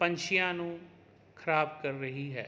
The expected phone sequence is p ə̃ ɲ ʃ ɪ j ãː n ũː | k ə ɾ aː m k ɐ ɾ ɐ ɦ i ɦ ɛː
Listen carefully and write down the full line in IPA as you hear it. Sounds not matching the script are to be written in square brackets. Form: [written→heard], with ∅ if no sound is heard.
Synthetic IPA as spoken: p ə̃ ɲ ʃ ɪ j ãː n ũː | [k→kʰ] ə ɾ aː [m→b] k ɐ [ɾ→ɾː] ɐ ɦ i ɦ ɛː